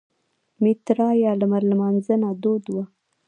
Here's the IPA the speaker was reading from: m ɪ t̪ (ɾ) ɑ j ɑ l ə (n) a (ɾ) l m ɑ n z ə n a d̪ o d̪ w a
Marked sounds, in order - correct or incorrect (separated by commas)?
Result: correct, incorrect, correct